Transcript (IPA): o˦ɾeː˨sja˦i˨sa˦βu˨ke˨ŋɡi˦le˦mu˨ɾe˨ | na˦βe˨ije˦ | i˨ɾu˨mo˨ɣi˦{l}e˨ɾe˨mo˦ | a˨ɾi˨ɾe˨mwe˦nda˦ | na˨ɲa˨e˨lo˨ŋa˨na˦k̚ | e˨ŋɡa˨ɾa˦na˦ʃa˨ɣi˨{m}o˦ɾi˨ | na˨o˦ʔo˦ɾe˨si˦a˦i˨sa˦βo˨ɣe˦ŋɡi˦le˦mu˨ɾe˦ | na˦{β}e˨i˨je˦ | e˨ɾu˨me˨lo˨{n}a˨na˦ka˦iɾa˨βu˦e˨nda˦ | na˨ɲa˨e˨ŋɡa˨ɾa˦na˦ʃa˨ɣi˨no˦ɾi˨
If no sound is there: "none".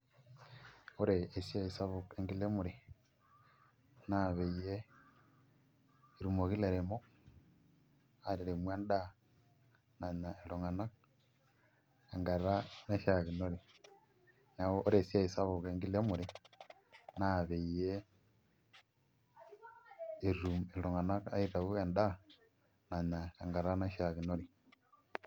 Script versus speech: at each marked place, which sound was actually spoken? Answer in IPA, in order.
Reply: l, n, β, ŋ

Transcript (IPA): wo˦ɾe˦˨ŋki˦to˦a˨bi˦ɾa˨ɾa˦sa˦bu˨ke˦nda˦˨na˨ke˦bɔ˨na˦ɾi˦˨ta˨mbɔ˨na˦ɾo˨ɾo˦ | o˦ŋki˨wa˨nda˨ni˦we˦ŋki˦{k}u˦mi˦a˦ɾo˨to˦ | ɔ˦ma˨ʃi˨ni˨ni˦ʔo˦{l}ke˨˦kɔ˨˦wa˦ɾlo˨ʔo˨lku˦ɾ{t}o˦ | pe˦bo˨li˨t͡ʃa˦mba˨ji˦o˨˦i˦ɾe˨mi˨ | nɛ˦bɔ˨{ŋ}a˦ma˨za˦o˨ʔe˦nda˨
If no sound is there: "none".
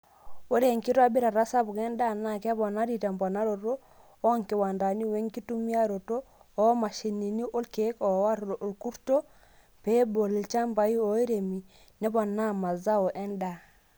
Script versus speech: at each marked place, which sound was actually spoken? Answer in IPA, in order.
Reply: t, l, t, n

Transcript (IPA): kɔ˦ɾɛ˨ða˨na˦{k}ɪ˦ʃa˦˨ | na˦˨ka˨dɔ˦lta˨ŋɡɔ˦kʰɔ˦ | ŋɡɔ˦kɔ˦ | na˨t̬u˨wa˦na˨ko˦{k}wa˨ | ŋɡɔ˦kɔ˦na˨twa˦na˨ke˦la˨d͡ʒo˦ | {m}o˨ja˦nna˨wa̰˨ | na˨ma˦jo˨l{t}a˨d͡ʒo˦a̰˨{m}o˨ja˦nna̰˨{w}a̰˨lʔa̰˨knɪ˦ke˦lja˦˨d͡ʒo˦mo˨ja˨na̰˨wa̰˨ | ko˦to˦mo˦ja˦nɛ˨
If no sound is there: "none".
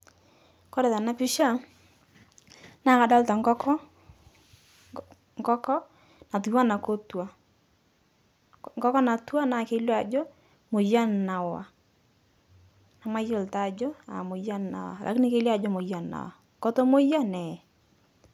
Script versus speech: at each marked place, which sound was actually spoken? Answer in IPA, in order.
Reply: p, t, m, t, m, w

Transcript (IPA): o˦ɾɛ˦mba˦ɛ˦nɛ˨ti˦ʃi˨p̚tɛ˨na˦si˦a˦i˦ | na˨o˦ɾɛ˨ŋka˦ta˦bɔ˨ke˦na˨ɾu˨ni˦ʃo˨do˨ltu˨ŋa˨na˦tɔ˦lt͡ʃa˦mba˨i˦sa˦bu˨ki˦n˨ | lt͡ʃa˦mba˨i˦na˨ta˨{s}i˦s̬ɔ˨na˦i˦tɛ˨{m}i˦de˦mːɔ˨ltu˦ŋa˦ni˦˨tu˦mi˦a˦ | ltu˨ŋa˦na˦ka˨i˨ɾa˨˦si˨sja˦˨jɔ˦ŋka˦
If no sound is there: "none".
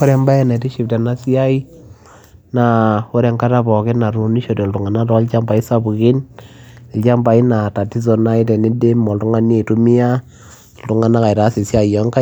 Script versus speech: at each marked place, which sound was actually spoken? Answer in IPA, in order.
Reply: t, n

